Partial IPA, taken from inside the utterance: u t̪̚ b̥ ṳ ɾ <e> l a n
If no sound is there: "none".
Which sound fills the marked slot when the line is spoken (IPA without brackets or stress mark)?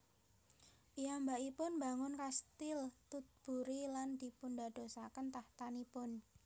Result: i